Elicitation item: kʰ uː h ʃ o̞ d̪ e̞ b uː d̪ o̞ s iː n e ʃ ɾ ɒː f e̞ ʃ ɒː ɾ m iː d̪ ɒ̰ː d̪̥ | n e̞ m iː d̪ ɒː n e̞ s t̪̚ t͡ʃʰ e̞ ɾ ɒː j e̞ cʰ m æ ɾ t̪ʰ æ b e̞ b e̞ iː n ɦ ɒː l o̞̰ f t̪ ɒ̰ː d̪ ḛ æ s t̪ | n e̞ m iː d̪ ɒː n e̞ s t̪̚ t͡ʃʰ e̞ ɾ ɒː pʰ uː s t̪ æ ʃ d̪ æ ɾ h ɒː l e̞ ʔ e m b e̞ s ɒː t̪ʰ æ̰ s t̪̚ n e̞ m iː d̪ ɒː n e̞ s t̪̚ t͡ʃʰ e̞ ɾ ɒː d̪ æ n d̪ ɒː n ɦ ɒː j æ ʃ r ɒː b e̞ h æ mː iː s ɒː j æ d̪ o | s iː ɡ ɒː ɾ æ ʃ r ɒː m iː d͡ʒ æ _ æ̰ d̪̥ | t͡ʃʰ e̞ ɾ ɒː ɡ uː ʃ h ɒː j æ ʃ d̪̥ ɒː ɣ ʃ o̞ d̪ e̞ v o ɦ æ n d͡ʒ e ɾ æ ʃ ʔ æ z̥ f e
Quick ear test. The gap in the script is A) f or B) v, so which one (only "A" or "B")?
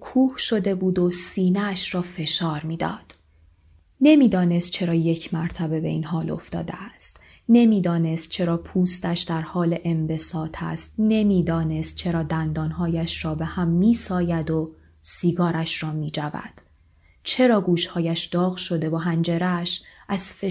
B